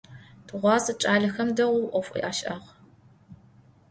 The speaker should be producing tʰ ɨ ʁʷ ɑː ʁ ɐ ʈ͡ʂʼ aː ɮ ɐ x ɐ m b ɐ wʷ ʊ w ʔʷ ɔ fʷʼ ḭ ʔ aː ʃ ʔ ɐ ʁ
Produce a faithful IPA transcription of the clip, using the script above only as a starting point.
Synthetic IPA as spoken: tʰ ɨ ʁʷ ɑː z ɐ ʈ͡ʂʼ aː ɮ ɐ x ɐ m d ɐ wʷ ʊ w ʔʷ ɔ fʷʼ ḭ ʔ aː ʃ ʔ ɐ ʁ